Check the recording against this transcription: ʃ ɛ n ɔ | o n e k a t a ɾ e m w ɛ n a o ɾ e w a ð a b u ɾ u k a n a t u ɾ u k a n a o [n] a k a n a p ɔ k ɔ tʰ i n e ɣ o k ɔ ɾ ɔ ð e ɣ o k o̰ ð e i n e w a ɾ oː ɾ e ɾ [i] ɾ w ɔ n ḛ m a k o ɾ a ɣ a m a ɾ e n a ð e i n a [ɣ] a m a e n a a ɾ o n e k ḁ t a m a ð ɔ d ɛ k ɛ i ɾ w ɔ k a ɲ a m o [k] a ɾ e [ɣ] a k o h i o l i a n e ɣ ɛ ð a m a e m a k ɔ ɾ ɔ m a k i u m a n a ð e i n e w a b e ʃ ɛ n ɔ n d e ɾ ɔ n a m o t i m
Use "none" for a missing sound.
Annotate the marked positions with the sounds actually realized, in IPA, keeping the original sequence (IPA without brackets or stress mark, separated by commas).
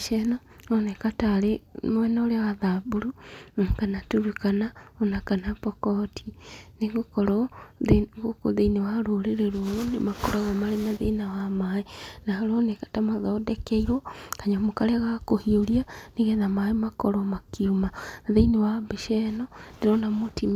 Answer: n, e, w, k, ɣ